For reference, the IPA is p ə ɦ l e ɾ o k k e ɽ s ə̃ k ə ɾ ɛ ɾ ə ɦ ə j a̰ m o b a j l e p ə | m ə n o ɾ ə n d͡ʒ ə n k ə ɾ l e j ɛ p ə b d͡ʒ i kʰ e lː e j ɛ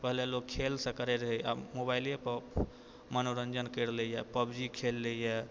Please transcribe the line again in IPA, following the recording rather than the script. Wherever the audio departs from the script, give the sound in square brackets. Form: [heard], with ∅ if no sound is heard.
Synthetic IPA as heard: p ə ɦ l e [l] o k [kʰ] e [l] s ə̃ k ə ɾ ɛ ɾ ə ɦ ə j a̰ m o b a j l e p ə | m ə n o ɾ ə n d͡ʒ ə n k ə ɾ l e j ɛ p ə b d͡ʒ i kʰ e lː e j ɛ